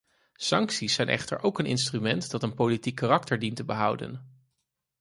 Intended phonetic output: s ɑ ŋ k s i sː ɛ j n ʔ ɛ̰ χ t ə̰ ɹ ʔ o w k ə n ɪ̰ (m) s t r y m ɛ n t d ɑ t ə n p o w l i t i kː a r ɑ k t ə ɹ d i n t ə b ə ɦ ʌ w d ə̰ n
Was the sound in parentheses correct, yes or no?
no